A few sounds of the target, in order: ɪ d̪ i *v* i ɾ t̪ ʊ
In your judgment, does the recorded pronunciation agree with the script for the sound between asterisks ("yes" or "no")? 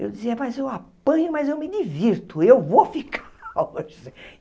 yes